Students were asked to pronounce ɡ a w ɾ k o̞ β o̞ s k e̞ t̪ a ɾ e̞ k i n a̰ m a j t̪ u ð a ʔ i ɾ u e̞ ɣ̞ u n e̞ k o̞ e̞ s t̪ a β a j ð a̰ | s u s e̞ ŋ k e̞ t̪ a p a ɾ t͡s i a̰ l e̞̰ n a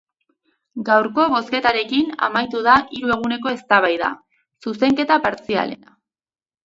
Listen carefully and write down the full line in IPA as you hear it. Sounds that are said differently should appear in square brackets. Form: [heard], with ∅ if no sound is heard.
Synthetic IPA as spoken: ɡ a w ɾ k o̞ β o̞ s k e̞ t̪ a ɾ e̞ k i n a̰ m a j t̪ u ð a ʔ i ɾ u e̞ ɣ̞ u n e̞ k o̞ e̞ s t̪ a β a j ð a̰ | s u s e̞ ŋ k e̞ t̪ a p a ɾ t͡s i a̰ l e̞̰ n a